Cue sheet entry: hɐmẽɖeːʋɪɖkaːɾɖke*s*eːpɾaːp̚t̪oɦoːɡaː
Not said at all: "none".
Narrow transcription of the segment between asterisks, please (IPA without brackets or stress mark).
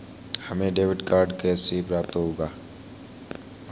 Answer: s